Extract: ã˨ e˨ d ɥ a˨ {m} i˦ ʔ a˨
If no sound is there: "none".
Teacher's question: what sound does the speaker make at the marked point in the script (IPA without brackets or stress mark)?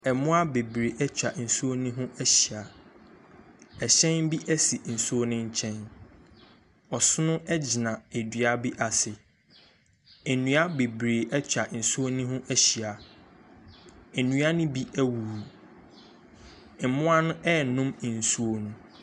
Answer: b